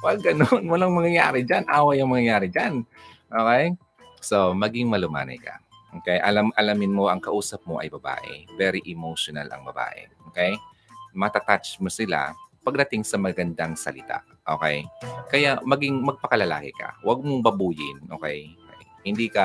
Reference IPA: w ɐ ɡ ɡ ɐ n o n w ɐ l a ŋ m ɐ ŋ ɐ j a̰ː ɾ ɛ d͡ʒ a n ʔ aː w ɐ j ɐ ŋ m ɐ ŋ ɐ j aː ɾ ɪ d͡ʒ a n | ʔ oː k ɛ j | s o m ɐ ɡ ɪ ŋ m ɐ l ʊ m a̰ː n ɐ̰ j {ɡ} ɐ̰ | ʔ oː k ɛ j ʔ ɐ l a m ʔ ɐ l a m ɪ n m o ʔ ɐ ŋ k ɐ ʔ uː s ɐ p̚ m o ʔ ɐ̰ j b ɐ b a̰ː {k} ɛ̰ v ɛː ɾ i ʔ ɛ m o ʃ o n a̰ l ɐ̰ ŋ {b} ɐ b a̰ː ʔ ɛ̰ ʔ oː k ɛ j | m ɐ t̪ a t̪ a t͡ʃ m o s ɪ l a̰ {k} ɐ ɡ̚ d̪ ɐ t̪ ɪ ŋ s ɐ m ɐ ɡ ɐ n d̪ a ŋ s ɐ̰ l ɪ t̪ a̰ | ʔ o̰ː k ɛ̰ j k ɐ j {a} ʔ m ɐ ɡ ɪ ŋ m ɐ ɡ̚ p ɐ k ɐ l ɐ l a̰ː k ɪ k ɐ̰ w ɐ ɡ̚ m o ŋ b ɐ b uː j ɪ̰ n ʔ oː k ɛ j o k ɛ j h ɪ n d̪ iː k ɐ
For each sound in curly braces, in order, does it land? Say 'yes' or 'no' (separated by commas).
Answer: no, no, yes, no, yes